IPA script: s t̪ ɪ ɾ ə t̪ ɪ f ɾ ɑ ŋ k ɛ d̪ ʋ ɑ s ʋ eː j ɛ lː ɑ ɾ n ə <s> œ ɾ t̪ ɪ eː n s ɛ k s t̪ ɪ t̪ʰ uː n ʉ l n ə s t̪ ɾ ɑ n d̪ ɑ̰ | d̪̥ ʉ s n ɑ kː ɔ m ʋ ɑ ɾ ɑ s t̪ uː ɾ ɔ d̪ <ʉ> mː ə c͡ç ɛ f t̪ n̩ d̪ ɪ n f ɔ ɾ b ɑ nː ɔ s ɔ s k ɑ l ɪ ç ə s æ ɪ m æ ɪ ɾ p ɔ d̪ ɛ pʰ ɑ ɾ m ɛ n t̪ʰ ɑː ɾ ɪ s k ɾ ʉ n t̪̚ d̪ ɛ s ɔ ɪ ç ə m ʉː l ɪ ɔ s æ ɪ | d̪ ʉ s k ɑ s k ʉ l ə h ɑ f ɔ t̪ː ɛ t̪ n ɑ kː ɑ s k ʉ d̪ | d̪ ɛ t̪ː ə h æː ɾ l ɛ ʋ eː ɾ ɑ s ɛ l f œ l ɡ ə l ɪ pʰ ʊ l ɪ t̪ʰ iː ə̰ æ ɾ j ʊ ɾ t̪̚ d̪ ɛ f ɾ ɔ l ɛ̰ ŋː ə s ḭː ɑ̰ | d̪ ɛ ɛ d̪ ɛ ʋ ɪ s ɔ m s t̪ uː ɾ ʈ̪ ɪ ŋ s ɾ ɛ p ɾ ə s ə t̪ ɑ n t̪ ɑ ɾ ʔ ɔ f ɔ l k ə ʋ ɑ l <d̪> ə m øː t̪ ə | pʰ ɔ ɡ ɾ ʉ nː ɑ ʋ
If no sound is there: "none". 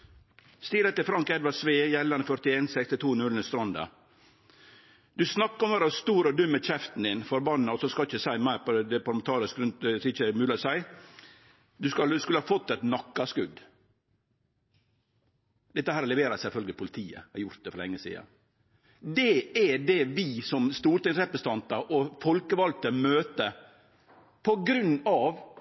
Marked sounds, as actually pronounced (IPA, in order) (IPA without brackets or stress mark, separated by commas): f, ʉ, t̪